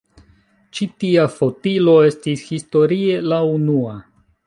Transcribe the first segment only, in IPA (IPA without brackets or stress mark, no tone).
t͡ʃ